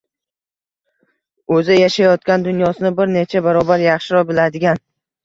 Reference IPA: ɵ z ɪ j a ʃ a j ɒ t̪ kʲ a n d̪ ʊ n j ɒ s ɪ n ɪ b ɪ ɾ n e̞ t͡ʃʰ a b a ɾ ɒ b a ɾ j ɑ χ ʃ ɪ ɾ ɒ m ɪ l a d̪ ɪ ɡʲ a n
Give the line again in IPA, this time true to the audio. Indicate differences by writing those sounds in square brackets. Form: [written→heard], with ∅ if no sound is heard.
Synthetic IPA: ɵ z ɪ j a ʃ a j ɒ t̪ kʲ a n d̪ ʊ n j ɒ s ɪ n ɪ b ɪ ɾ n e̞ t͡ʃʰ a b a ɾ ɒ b a ɾ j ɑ χ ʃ ɪ ɾ ɒ [m→b] ɪ l a d̪ ɪ ɡʲ a n

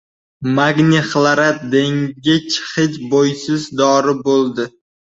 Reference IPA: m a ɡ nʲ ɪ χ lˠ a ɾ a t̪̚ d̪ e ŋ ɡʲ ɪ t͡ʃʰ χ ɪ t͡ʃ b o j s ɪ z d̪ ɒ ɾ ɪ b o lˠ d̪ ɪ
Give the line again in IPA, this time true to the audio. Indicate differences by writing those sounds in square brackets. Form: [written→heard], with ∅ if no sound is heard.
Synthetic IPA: m a ɡ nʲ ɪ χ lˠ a ɾ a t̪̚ d̪ e ŋ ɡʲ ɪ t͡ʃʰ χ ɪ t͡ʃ b o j s ɪ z d̪ ɒ ɾ ɪ b o lˠ d̪ ɪ

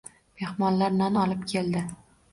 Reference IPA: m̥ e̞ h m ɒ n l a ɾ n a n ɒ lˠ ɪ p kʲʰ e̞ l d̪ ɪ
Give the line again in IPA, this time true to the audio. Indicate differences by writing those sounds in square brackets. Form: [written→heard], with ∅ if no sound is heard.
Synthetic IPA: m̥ e̞ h m ɒ n l a ɾ n a n ɒ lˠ ɪ p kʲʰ e̞ l d̪ ɪ

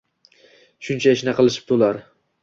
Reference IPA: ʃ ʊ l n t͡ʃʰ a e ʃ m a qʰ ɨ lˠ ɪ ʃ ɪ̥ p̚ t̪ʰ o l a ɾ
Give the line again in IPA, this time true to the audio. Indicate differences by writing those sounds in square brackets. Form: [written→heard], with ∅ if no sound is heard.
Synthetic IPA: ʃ ʊ [l→∅] n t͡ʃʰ a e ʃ [m→n] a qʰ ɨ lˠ ɪ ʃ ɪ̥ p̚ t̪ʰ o l a ɾ

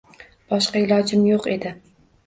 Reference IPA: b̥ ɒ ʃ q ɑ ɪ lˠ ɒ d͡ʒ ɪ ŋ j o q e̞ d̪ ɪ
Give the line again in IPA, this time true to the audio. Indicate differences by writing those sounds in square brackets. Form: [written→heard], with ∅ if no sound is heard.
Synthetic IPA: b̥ ɒ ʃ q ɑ ɪ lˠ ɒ d͡ʒ ɪ [ŋ→m] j o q e̞ d̪ ɪ

